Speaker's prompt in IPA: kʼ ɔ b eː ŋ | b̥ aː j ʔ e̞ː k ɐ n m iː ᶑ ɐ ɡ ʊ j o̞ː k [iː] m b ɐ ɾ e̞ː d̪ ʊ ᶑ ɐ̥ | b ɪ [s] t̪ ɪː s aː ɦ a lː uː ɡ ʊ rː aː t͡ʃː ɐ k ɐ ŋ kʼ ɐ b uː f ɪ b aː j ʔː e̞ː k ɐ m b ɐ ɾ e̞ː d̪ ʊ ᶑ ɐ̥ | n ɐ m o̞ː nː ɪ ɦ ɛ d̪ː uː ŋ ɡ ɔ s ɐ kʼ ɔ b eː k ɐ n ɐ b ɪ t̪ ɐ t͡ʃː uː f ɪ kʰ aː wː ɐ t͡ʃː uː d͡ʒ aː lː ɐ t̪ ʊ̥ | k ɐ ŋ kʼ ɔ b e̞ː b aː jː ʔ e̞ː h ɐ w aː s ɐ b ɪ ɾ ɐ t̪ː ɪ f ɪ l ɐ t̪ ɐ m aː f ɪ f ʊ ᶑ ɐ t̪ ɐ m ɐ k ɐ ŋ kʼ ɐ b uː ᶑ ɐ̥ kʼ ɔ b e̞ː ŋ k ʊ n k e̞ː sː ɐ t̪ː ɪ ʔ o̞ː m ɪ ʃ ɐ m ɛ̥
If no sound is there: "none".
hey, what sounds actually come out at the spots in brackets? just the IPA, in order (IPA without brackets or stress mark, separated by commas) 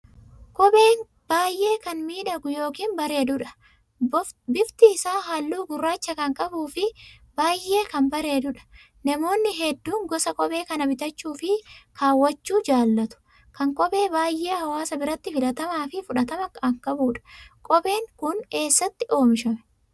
iː, f